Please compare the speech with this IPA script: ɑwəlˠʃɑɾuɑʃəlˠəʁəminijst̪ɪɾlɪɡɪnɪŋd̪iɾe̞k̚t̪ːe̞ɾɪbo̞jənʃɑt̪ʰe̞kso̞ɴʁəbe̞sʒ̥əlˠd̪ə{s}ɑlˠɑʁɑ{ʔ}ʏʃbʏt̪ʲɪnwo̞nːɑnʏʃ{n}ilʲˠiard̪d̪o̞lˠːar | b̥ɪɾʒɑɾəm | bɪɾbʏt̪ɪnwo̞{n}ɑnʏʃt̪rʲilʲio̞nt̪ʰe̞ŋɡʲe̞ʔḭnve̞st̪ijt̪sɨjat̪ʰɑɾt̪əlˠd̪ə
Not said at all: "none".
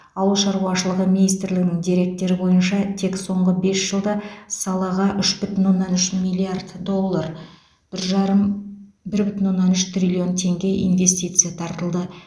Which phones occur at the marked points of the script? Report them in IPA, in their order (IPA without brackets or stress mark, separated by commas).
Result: s, ʔ, m, nː